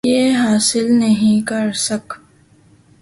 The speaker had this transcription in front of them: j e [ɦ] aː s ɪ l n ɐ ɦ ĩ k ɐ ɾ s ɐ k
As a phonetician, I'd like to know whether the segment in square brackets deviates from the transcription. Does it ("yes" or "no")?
no